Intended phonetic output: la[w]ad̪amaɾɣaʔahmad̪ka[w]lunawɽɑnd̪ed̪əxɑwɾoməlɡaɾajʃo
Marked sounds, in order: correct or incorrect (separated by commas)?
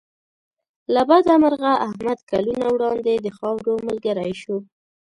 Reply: incorrect, incorrect